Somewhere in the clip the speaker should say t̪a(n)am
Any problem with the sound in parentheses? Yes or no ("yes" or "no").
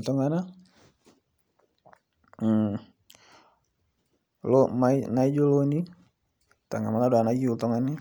yes